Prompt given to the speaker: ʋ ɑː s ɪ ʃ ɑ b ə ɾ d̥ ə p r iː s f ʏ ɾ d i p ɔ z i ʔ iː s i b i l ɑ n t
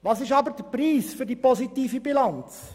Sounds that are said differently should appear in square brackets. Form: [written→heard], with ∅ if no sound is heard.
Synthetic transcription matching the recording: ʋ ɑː s ɪ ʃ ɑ b ə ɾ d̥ ə p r iː s f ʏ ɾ d i p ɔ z i [ʔ→t] iː [s→f] i b i l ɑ n [t→t͡s]